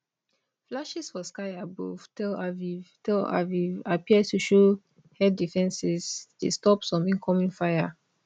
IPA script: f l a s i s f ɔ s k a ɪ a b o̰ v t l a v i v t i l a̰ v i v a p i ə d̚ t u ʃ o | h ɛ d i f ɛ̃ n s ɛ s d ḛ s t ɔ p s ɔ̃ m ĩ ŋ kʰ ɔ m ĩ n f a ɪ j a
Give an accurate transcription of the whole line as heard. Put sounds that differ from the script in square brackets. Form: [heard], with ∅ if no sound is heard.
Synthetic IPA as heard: f l a [ʃ] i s f ɔ s k a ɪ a b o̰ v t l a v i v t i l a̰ v i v a p i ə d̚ t u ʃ o | h ɛ d i f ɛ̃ n s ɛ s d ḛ s t ɔ p s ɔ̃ m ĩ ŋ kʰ ɔ m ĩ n f a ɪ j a

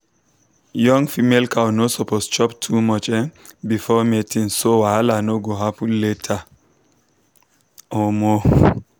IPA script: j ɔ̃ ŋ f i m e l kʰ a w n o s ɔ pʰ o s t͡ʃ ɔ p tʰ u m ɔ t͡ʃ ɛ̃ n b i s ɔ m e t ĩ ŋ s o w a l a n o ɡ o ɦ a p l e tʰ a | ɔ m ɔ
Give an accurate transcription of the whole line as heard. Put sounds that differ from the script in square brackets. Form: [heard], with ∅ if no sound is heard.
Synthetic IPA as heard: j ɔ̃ ŋ f i m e l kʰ a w n o s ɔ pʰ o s t͡ʃ ɔ p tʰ u m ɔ t͡ʃ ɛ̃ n b i [f] ɔ m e t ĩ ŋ s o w a l a n o ɡ o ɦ a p l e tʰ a | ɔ m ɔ

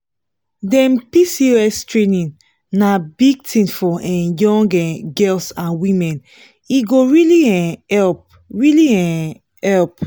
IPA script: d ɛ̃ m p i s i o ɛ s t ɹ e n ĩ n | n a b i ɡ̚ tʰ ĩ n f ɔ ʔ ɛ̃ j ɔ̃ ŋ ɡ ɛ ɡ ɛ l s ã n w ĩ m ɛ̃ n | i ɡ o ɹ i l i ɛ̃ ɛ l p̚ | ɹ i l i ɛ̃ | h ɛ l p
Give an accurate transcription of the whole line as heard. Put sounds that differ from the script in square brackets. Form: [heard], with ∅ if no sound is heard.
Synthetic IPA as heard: d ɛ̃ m p i s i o ɛ s t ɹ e n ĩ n | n a b i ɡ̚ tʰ ĩ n f ɔ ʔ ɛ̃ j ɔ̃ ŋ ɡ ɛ ɡ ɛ l s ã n w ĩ m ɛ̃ n | i ɡ o ɹ i l i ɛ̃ ɛ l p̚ | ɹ i l i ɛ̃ | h ɛ l p

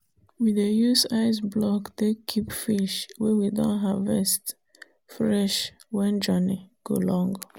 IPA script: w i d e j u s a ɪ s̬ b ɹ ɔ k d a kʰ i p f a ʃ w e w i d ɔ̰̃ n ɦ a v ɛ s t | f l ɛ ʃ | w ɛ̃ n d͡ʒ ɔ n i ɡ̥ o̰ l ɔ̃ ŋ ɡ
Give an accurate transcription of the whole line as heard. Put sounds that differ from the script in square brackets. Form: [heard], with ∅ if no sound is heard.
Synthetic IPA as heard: w i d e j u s a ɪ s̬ b [l] ɔ k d [e] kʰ i p f [i] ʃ w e w i d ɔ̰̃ n ɦ a v ɛ s t | f [ɹ] ɛ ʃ | w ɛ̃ n d͡ʒ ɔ n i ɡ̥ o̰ l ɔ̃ ŋ ɡ

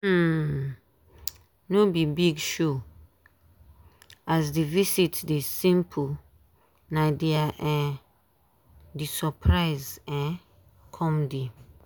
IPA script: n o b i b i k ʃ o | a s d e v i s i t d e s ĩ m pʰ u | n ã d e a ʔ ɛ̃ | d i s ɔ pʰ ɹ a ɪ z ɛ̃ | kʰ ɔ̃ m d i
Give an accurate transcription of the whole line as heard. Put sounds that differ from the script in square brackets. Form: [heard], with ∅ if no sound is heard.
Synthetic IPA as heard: n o b i b i [ɡ] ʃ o | a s d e v i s i t d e s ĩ m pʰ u | n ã d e a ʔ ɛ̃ | d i s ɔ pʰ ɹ a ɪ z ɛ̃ | kʰ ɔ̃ m d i

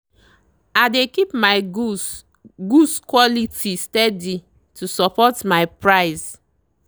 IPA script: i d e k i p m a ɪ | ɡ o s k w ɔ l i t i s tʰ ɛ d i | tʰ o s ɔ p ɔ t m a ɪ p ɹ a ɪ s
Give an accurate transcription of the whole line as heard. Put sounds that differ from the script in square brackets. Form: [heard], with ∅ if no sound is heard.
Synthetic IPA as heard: [a] d e k i p m a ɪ | ɡ [u] s k w ɔ l i t i s [t] ɛ d i | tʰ [u] s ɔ p ɔ t m a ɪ p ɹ a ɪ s

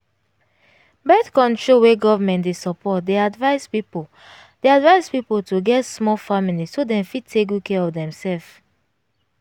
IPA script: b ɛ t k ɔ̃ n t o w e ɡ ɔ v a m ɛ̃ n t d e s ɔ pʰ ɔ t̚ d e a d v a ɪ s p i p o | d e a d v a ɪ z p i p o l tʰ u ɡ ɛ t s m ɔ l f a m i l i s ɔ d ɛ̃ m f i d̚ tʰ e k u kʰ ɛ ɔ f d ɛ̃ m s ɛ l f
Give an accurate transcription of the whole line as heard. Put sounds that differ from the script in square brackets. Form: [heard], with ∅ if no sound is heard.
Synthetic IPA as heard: b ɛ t k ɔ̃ n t o w e ɡ ɔ v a m ɛ̃ n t d e s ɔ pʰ ɔ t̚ d e a d v a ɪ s p i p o | d e a d v a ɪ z p i p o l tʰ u ɡ ɛ t s m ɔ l f a m i l i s [o] d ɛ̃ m f i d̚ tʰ e k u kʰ ɛ ɔ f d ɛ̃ m s ɛ l f

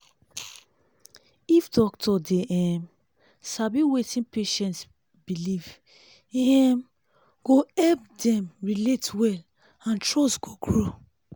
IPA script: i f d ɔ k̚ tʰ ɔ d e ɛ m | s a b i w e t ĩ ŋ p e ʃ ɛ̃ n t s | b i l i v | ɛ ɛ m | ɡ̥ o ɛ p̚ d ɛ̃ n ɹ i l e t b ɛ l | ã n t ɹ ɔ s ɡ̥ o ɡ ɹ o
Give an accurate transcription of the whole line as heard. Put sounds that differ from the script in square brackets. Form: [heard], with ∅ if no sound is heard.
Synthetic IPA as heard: i f d ɔ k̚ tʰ ɔ d e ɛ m | s a b i w e t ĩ [n] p e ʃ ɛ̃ n t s | b i l i v | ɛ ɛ m | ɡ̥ o ɛ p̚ d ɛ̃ [m] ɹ i l e t [w] ɛ l | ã n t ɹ ɔ s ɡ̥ o ɡ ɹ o

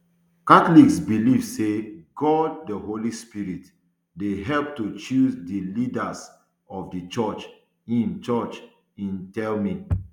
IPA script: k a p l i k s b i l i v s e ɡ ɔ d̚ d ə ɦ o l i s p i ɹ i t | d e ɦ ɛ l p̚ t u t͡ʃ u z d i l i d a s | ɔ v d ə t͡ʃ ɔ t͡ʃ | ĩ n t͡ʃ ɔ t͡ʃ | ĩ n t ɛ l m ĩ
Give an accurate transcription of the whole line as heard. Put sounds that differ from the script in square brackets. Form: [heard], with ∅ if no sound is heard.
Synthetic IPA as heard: k a [t] l i k s b i l i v s e ɡ ɔ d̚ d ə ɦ o l i s p i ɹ i t | d e ɦ ɛ l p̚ t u t͡ʃ u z d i l i d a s | ɔ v d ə t͡ʃ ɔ t͡ʃ | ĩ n t͡ʃ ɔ t͡ʃ | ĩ n t ɛ l m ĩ

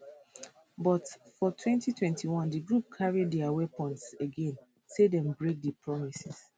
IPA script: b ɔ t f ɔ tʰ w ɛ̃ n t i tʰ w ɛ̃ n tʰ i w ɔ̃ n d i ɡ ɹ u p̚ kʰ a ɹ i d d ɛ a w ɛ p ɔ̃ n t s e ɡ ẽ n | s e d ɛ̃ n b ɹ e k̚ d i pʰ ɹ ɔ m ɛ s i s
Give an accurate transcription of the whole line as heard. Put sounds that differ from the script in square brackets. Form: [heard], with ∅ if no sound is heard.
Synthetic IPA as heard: b ɔ t f ɔ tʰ w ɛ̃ n t i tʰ w ɛ̃ n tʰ i w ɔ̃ n d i ɡ ɹ u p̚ kʰ a ɹ i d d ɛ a w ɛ p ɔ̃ n t s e ɡ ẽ n | s e d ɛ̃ [m] b ɹ e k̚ d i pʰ ɹ ɔ m [i] s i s

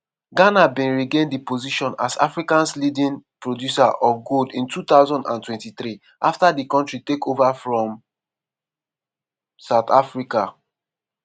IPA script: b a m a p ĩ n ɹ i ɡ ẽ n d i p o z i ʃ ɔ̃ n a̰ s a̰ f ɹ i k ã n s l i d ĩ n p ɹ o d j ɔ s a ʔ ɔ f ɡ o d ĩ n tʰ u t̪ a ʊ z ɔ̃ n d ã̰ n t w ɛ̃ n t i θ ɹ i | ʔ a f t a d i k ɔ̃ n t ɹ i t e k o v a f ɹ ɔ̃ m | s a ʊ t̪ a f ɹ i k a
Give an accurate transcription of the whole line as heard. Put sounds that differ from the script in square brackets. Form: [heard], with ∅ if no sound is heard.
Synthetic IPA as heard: [ɡ] a [n] a [b] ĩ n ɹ i ɡ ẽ n d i p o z i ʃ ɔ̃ n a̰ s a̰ f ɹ i k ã n s l i d ĩ n p ɹ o d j [u] s a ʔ ɔ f ɡ o d ĩ n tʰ u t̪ a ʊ z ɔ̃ n d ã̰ n t w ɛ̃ n t i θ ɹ i | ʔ a f t a d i k ɔ̃ n t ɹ i t e k o v a f ɹ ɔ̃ m | s a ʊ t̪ a f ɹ i k a

